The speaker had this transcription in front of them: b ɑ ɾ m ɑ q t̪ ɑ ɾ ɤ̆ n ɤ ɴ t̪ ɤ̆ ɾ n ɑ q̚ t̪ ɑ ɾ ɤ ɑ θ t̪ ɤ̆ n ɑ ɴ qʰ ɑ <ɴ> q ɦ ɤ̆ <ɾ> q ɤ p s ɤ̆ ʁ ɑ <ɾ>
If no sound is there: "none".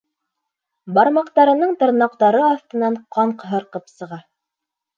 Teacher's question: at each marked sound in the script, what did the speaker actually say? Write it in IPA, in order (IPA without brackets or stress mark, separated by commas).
ɴ, ɾ, none